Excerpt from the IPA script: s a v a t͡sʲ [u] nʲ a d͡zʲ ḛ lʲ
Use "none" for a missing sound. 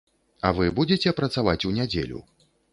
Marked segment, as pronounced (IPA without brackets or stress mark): u